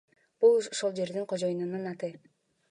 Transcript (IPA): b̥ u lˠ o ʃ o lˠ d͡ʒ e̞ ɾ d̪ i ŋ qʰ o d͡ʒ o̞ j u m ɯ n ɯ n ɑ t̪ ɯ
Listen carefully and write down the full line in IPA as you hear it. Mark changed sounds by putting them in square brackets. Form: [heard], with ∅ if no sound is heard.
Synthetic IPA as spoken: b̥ u lˠ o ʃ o lˠ d͡ʒ e̞ ɾ d̪ i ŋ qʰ o d͡ʒ o̞ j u [n] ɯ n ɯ n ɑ t̪ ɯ